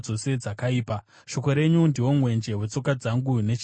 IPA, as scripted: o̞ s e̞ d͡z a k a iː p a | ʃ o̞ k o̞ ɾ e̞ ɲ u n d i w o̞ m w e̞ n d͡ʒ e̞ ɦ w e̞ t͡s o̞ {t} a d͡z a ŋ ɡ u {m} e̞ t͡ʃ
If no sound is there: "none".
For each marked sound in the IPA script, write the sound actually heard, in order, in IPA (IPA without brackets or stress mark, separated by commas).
k, n